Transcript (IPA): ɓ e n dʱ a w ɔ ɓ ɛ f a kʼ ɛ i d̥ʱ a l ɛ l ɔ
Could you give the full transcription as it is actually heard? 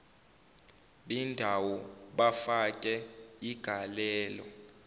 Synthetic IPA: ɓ i n dʱ a w ɔ ɓ a f a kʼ ɛ i ɡ̥ʱ a l ɛː l ɔ